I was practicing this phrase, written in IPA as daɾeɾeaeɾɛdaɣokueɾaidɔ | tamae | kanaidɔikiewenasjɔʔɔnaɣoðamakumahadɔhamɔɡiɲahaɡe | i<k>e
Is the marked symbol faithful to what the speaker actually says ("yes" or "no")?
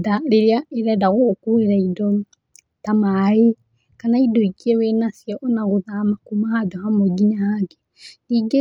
no